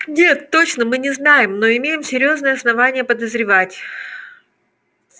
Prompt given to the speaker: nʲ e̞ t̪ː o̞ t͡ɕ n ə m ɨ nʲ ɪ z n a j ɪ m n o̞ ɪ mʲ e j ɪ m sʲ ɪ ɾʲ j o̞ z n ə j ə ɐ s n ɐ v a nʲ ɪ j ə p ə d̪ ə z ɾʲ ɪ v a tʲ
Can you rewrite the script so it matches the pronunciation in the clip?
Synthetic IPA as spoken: nʲ e̞ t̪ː o̞ t͡ɕ n ə m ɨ nʲ ɪ z n a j ɪ m n o̞ ɪ mʲ e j ɪ m sʲ ɪ ɾʲ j o̞ z n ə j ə ɐ s n ɐ v a nʲ ɪ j ə p ə d̪ ə z ɾʲ ɪ v a tʲ